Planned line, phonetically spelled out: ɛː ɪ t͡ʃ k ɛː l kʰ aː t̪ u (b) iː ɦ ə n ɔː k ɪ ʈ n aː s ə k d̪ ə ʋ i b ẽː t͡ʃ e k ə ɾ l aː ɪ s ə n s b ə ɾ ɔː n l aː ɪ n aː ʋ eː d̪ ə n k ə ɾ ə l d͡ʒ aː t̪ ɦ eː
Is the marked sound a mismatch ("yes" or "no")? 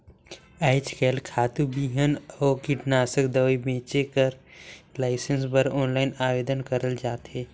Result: no